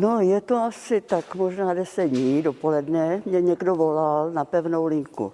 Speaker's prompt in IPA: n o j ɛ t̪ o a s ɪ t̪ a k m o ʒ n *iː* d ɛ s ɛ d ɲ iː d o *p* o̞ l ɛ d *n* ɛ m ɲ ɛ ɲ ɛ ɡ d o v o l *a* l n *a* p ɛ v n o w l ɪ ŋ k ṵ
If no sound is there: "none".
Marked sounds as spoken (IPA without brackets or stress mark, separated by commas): aː, p, n, a, a